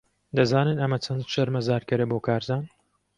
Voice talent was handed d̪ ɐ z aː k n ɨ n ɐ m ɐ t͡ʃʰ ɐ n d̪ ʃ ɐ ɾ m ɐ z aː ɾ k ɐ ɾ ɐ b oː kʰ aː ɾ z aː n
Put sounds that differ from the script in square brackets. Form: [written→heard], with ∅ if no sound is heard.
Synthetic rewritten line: d̪ ɐ z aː [k→∅] n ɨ n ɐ m ɐ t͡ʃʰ ɐ n d̪ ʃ ɐ ɾ m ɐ z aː ɾ k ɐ ɾ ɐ b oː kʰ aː ɾ z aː n